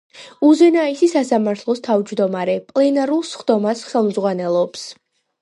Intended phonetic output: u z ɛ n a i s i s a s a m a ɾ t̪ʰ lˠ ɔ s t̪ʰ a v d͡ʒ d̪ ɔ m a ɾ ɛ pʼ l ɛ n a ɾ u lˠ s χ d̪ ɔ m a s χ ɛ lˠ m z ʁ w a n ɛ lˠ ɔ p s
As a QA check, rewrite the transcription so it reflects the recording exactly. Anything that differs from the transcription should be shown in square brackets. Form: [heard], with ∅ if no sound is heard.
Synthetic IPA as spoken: u z ɛ n a i s i s a s a m a ɾ t̪ʰ lˠ ɔ s t̪ʰ a v d͡ʒ d̪ ɔ m a ɾ ɛ pʼ l ɛ n a ɾ u lˠ s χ d̪ ɔ m a s χ ɛ lˠ m z ʁ w a n ɛ lˠ ɔ p s